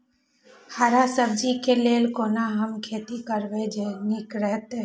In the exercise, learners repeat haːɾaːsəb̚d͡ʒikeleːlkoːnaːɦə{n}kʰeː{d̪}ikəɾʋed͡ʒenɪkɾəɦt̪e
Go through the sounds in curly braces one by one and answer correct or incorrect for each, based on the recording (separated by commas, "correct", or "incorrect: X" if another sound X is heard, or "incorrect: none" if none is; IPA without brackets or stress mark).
incorrect: m, incorrect: t̪